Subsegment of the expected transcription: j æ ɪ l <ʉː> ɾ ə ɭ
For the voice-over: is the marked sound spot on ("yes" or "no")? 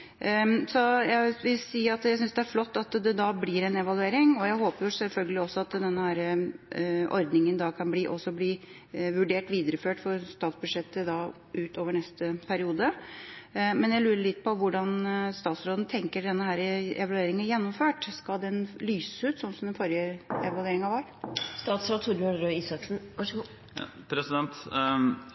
yes